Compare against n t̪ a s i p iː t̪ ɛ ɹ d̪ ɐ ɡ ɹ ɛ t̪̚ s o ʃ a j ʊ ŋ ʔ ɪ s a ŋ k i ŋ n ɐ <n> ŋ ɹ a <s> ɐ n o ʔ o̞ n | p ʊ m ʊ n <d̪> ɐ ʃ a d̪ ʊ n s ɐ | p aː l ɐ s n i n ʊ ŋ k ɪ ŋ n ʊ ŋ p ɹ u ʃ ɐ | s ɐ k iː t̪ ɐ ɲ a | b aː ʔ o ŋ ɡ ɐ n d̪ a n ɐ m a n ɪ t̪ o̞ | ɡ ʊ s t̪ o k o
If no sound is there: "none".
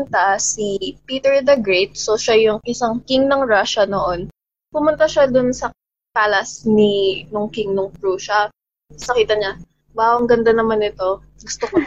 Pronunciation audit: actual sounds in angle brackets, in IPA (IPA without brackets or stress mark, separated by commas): none, ʃ, t̪